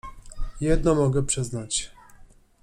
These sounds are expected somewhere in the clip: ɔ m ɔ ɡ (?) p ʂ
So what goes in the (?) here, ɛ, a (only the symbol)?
ɛ